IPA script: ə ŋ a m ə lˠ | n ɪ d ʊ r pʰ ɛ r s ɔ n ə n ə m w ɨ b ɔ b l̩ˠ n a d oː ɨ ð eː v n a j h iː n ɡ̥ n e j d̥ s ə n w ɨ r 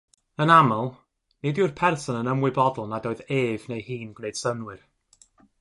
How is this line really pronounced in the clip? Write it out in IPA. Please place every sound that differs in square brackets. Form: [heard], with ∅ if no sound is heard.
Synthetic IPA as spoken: ə [n] a m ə lˠ | n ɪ d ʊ r pʰ ɛ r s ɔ n ə n ə m w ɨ b ɔ [d] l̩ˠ n a d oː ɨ ð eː v n [e] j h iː n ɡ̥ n e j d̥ s ə n w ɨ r